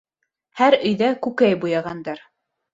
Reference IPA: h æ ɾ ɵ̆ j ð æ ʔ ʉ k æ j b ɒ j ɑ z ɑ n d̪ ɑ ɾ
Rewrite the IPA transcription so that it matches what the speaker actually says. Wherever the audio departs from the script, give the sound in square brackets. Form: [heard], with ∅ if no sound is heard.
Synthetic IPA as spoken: h æ ɾ ɵ̆ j ð æ [k] ʉ k æ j b [u] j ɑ [ʁ] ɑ n d̪ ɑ ɾ